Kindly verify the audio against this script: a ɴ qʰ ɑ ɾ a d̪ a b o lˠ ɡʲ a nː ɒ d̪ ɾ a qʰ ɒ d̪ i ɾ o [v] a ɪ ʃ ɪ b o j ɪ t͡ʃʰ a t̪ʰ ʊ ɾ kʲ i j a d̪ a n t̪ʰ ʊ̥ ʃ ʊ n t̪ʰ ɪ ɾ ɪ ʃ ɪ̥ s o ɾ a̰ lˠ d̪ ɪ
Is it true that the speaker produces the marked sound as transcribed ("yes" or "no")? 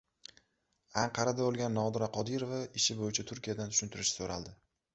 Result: yes